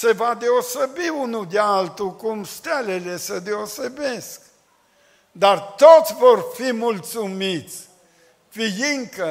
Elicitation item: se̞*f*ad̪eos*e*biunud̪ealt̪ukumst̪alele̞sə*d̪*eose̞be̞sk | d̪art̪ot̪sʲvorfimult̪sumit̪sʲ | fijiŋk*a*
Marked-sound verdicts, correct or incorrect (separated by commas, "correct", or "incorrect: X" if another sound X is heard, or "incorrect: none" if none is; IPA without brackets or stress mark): incorrect: v, correct, correct, incorrect: ə